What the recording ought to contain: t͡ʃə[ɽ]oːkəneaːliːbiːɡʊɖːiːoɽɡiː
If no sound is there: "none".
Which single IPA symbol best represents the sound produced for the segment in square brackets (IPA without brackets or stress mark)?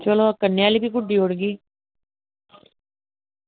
l